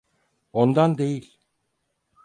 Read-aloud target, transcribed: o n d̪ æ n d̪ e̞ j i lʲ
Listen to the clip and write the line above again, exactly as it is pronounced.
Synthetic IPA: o n d̪ a n d̪ e̞ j i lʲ